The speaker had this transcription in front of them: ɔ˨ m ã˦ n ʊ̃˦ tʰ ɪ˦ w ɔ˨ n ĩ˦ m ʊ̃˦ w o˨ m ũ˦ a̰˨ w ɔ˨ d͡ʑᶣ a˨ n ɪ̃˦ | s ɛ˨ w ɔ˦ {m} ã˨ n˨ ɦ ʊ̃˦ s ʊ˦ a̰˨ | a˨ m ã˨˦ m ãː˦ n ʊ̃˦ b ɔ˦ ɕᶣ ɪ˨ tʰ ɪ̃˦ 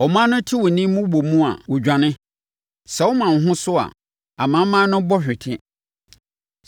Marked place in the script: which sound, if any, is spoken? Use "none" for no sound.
m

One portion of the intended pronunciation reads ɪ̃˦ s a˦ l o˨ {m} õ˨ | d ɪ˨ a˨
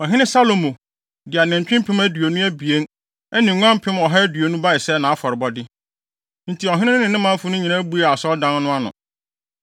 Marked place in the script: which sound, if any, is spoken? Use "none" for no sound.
m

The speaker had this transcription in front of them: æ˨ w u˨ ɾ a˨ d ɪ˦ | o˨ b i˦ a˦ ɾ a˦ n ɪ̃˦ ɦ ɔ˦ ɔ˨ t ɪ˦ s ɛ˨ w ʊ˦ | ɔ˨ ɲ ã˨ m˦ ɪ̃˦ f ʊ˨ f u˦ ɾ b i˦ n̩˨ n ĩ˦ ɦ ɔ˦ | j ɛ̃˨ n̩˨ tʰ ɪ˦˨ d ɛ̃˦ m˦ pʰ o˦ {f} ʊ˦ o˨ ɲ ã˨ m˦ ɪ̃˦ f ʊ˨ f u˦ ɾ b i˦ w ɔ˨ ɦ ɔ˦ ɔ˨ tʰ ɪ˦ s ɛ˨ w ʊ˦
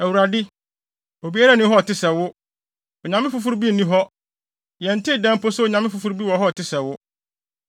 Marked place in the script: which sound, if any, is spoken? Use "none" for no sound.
s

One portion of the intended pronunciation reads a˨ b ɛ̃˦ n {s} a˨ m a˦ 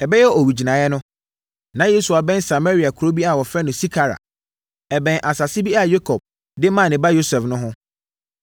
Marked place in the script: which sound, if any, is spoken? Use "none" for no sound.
s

